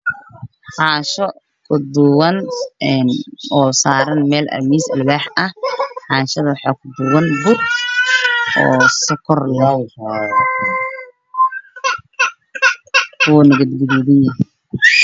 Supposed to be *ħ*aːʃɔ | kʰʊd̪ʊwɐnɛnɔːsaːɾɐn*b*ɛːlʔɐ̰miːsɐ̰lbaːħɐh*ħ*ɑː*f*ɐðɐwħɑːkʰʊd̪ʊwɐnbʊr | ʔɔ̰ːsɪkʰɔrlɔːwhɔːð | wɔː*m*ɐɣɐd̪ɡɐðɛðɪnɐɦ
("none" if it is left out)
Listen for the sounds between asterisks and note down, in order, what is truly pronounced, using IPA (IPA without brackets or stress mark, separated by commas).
ħ, m, ħ, ʃ, n